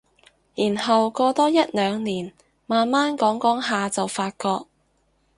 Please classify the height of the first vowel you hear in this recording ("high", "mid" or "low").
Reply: high